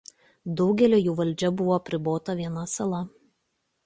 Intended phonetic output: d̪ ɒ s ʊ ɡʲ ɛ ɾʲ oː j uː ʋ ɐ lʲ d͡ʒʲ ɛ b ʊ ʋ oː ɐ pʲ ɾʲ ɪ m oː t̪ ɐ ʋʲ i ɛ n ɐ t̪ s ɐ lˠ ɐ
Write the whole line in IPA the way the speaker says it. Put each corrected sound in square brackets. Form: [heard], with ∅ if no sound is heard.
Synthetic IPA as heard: d̪ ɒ [∅] ʊ ɡʲ ɛ [lʲ] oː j uː ʋ ɐ lʲ d͡ʒʲ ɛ b ʊ ʋ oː ɐ pʲ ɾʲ ɪ [b] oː t̪ ɐ ʋʲ i ɛ n ɐ [∅] s ɐ lˠ ɐ

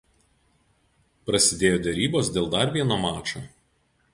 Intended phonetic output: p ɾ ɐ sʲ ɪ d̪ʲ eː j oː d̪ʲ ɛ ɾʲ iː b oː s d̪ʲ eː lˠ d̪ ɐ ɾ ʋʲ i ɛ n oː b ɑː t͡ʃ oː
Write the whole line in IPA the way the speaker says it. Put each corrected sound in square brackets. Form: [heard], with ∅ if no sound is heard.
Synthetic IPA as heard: p ɾ ɐ sʲ ɪ d̪ʲ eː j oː d̪ʲ ɛ ɾʲ iː b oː s d̪ʲ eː lˠ d̪ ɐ ɾ ʋʲ i ɛ n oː [m] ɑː t͡ʃ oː

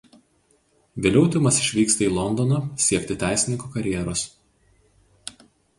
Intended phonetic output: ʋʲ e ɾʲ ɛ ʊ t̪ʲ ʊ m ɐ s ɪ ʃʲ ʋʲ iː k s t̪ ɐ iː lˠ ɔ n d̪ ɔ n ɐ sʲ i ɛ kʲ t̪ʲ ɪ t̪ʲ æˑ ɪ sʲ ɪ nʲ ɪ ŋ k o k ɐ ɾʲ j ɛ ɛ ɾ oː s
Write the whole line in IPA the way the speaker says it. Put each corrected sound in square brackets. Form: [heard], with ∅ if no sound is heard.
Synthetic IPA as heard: ʋʲ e [lʲ] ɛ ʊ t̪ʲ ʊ m ɐ s ɪ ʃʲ ʋʲ iː k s t̪ ɐ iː lˠ ɔ n d̪ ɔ n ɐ sʲ i ɛ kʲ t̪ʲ ɪ t̪ʲ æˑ ɪ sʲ ɪ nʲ ɪ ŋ k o k ɐ ɾʲ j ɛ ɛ ɾ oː s

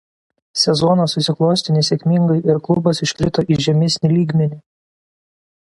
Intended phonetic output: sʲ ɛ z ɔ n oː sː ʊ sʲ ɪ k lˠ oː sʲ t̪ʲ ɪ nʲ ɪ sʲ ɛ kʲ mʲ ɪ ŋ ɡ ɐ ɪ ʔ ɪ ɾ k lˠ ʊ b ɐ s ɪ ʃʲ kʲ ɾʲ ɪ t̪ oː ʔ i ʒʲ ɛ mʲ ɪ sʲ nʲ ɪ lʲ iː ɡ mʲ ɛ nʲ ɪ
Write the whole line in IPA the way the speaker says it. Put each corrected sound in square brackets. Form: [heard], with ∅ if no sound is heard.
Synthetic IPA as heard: sʲ ɛ z ɔ n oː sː ʊ sʲ ɪ k lˠ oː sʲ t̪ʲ ɪ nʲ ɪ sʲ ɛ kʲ mʲ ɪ ŋ ɡ ɐ ɪ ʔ ɪ ɾ k lˠ ʊ b ɐ s ɪ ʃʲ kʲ ɾʲ ɪ t̪ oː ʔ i ʒʲ ɛ mʲ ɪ sʲ nʲ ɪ lʲ iː ɡ mʲ ɛ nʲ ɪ

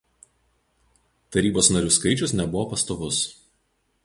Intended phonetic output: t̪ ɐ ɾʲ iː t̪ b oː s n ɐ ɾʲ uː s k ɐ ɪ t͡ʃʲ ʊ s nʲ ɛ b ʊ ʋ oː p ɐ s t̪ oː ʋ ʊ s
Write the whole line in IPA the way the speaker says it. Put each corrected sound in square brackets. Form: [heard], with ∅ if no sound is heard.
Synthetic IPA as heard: t̪ ɐ ɾʲ iː [∅] b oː s n ɐ ɾʲ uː s k ɐ ɪ t͡ʃʲ ʊ s nʲ ɛ b ʊ ʋ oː p ɐ s t̪ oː ʋ ʊ s

